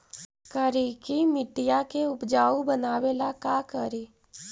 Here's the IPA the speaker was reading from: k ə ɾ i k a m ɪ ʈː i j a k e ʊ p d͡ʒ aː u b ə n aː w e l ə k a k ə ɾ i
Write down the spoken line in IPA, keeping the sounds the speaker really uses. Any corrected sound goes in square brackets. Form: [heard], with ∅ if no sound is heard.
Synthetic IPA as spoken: k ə ɾ i k [i] m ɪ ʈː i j a k e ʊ p d͡ʒ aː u b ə n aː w e l [a] k a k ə ɾ i